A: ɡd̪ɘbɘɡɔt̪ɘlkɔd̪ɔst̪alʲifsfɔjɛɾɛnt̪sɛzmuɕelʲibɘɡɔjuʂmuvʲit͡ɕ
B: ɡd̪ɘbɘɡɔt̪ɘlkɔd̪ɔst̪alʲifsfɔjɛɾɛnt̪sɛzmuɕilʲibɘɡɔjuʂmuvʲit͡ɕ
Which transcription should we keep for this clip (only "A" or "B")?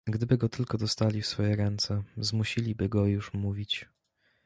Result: B